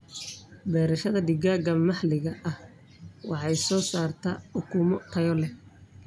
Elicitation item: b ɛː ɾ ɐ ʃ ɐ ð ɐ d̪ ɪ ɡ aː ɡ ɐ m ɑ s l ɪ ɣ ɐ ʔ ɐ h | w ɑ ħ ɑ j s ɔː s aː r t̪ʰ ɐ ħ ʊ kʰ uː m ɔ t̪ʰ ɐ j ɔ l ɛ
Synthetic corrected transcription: b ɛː ɾ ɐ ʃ ɐ ð ɐ d̪ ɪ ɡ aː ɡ ɐ m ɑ ħ l ɪ ɣ ɐ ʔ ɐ h | w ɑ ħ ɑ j s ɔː s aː r t̪ʰ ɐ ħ ʊ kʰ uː m ɔ t̪ʰ ɐ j ɔ l ɛ